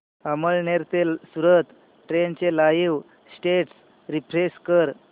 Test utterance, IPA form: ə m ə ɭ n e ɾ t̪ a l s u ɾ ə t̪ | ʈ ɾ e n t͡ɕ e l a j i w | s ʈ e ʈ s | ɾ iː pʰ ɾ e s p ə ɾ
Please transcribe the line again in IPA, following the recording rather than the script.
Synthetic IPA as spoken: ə m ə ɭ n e ɾ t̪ e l s u ɾ ə t̪ | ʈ ɾ e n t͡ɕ e l a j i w | s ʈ e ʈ s | ɾ i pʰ ɾ e s k ə ɾ